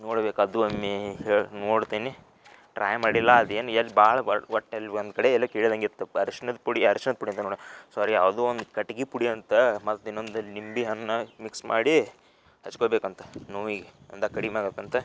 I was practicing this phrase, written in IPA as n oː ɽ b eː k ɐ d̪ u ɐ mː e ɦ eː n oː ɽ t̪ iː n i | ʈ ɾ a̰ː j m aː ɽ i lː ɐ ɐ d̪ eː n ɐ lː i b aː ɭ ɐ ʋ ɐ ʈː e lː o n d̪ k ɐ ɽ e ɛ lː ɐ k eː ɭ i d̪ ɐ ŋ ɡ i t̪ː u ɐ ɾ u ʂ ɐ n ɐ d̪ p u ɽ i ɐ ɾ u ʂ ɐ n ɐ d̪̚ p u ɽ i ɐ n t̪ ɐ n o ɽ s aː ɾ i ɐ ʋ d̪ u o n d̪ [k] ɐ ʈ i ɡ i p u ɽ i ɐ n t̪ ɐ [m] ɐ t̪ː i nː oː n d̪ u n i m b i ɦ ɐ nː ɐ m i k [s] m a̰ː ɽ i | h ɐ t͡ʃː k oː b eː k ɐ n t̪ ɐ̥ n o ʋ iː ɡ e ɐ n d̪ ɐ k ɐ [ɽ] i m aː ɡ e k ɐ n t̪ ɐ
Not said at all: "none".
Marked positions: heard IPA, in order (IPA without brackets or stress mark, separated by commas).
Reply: k, m, s, ɽ